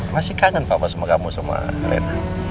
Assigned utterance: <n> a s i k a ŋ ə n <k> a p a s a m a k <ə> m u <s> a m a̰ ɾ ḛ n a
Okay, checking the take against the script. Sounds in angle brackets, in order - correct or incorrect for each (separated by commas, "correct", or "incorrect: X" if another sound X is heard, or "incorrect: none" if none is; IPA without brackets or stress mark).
incorrect: m, incorrect: p, incorrect: a, correct